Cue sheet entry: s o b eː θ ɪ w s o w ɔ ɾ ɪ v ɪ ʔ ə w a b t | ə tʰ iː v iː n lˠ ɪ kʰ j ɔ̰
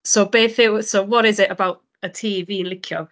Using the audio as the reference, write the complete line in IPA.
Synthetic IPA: s o b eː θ ɪ w s o w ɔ ɾ ɪ z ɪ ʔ ə b a w t | ə tʰ iː v iː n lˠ ɪ kʰ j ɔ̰